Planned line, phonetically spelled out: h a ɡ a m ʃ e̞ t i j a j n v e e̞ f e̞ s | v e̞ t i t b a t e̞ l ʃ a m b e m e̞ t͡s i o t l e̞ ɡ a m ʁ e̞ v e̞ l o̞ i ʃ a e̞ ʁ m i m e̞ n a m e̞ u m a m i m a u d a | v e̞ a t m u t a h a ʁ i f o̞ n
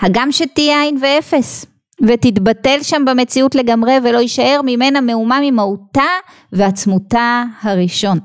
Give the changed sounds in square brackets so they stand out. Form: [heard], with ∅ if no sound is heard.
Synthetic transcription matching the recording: h a ɡ a m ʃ e̞ t i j a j n v e e̞ f e̞ s | v e̞ t i t b a t e̞ l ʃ a m b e m e̞ t͡s i [u] t l e̞ ɡ a m ʁ e̞ v e̞ l o̞ i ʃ a e̞ ʁ m i m e̞ n a m e̞ u m a m i m a u [t] a | v e̞ a [t͡s] m u t a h a ʁ i [ʃ] o̞ n